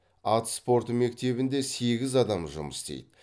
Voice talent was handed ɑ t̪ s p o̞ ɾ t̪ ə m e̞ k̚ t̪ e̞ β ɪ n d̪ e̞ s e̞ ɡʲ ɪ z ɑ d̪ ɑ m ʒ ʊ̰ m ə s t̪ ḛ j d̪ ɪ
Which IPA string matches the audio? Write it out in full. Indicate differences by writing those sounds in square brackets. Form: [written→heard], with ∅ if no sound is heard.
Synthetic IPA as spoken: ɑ t̪ s p o̞ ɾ t̪ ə m e̞ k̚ t̪ e̞ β ɪ n d̪ e̞ s e̞ ɡʲ ɪ z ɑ d̪ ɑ m ʒ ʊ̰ m ə s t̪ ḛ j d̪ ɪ